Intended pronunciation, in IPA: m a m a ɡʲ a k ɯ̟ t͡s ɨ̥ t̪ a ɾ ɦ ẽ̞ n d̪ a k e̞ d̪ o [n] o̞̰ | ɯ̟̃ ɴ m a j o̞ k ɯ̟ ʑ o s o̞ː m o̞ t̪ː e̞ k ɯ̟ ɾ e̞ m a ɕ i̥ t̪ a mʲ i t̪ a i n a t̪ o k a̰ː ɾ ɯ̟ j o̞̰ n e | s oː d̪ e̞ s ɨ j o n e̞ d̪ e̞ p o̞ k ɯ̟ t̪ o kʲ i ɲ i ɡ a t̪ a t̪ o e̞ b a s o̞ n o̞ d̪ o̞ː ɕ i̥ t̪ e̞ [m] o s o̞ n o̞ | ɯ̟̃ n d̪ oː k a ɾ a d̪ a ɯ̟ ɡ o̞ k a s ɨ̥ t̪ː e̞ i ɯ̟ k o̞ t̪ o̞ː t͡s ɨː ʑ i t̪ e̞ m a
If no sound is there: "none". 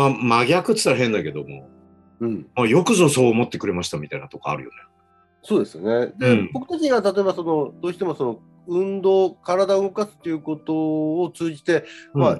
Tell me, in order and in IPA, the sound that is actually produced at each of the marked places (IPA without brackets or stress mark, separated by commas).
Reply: m, m